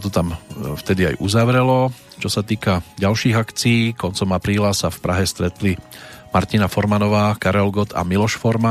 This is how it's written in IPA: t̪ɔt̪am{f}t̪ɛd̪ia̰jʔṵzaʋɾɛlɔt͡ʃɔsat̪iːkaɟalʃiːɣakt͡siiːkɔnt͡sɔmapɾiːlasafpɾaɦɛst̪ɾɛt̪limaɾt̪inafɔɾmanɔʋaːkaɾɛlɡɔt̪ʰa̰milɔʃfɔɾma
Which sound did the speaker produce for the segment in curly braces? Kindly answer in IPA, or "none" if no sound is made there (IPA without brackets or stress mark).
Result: f